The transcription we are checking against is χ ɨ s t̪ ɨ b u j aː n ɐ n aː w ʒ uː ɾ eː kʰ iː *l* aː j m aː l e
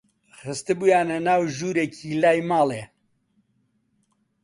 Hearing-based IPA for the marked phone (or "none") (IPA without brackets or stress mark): l